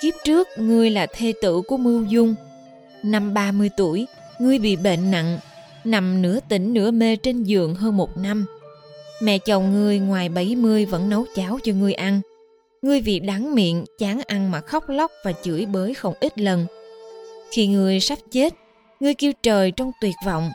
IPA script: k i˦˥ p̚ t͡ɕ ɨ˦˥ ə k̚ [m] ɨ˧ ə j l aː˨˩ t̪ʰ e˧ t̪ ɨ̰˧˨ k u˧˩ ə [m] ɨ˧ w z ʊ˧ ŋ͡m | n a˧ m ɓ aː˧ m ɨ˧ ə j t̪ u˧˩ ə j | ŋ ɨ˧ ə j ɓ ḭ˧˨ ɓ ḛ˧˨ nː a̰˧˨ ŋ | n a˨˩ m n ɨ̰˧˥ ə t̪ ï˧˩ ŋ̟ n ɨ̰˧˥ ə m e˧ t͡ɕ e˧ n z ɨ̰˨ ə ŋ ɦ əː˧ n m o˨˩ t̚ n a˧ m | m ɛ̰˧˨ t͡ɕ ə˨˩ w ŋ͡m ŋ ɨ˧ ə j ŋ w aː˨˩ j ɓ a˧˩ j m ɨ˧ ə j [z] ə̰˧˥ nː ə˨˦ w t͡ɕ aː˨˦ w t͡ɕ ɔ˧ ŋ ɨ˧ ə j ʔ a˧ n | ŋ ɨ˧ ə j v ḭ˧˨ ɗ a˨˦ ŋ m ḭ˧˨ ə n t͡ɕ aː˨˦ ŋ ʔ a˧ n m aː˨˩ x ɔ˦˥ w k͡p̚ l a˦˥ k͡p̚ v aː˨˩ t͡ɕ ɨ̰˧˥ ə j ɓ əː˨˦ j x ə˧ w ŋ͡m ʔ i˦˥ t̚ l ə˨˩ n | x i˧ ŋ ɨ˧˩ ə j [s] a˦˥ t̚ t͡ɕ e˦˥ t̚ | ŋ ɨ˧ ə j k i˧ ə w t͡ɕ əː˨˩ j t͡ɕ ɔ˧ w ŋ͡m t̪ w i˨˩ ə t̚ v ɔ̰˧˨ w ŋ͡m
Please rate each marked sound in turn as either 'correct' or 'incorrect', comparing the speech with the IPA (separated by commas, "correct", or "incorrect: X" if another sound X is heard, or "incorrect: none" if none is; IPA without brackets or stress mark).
incorrect: ŋ, correct, incorrect: v, correct